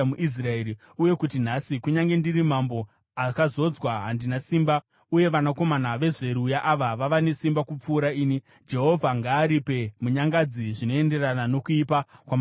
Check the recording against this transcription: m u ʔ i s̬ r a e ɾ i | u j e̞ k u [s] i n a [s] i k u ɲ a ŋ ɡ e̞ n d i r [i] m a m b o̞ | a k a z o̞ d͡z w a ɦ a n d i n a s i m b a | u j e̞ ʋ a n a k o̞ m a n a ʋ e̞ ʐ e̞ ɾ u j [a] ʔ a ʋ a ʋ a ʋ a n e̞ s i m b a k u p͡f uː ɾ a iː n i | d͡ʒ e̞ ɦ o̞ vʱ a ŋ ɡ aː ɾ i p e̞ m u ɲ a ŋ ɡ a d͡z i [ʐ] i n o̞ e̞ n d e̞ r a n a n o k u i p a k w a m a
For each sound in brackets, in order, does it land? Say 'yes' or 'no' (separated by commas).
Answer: no, yes, yes, yes, yes